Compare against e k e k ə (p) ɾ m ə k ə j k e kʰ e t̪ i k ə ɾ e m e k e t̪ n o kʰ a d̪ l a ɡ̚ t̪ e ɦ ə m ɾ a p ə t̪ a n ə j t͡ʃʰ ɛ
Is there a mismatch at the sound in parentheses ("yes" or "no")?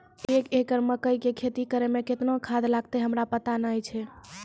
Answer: yes